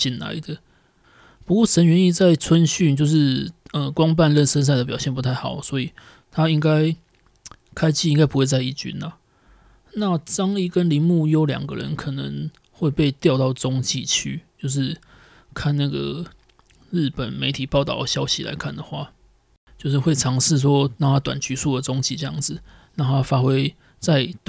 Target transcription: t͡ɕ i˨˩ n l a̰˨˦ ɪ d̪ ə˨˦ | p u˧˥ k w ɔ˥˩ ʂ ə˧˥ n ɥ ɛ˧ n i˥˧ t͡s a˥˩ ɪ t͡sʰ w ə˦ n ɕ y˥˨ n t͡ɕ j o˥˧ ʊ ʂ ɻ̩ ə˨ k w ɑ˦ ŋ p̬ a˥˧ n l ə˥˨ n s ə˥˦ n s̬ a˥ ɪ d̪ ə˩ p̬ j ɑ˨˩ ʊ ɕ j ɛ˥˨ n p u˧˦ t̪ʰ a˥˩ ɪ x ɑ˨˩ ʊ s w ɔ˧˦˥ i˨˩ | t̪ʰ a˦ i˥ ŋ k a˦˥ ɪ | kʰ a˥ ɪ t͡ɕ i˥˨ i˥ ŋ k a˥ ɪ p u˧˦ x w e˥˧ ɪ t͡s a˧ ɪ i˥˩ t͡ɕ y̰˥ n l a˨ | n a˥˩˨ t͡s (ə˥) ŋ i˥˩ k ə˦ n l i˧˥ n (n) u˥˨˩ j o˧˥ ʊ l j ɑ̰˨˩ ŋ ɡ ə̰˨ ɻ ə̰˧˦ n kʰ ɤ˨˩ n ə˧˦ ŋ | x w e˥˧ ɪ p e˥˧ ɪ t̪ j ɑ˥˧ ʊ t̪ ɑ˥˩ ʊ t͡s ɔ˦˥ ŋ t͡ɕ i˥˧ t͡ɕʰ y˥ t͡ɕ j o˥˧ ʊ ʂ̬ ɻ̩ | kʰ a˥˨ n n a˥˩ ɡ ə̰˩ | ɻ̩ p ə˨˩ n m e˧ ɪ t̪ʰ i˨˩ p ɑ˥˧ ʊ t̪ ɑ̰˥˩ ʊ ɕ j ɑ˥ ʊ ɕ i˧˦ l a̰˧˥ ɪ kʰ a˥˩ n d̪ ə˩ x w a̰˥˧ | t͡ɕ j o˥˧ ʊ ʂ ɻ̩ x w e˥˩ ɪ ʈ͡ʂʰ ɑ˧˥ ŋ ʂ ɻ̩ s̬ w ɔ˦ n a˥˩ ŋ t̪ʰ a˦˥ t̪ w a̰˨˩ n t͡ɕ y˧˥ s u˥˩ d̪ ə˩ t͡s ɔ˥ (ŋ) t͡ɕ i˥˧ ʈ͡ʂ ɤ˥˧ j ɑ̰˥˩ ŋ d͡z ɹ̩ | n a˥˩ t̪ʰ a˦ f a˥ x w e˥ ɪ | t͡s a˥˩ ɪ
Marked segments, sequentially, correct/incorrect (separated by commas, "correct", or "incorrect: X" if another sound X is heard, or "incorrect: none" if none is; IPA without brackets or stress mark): incorrect: ɑ˥, incorrect: m, correct